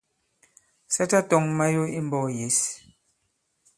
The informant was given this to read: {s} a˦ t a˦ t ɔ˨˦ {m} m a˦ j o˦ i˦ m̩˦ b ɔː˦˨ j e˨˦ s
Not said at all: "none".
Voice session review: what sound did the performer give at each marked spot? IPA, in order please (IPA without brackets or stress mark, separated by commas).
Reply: s, ŋ